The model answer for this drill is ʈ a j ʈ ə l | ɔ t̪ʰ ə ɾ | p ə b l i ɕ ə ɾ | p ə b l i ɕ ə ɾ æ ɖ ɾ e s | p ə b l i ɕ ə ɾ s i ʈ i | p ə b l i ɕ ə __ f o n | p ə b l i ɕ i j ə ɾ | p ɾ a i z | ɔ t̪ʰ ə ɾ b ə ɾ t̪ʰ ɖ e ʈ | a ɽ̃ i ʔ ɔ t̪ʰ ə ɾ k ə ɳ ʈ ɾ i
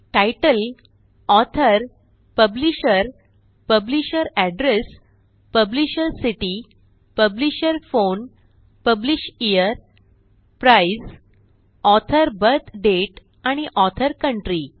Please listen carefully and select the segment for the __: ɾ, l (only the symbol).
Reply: ɾ